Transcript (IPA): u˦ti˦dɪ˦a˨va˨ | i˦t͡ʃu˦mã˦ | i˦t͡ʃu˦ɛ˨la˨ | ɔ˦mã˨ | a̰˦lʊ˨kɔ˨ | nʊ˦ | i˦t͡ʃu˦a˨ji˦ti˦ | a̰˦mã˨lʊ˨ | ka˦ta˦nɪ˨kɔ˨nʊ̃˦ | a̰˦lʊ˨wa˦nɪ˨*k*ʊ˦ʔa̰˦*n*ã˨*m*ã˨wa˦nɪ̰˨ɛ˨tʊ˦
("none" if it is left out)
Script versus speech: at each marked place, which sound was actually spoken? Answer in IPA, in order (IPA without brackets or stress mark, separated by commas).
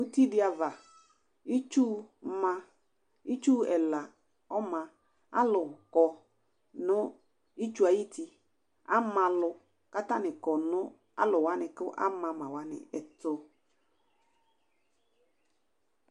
k, m, m